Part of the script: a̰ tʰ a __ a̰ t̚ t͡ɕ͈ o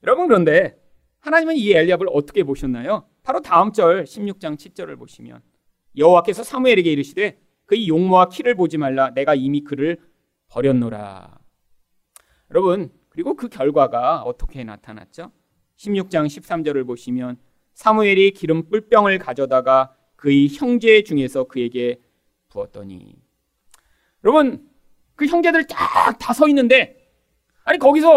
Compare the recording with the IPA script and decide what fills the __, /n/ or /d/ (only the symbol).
n